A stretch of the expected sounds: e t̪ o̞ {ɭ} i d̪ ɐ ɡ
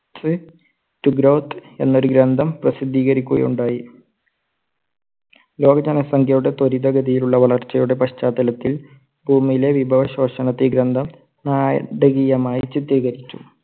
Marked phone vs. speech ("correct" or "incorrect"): incorrect